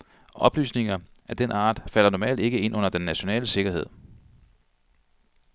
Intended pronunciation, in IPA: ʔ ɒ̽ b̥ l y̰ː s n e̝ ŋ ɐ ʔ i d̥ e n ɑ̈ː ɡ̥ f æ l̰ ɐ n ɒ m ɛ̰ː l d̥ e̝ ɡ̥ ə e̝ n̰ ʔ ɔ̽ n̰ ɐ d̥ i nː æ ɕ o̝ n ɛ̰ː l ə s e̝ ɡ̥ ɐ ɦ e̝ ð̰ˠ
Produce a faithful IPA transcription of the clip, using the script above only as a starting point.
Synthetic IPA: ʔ ɒ̽ b̥ l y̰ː s n e̝ ŋ ɐ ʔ æ d̥ e n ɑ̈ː d̥ f æ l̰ ɐ n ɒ m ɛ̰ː l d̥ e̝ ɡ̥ ə e̝ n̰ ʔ ɔ̽ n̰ ɐ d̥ e nː æ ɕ o̝ n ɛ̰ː l ə s e̝ ɡ̥ ɐ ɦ e̝ ð̰ˠ